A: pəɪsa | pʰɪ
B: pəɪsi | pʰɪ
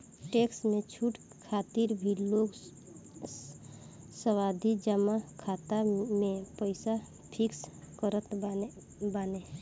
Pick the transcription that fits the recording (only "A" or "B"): A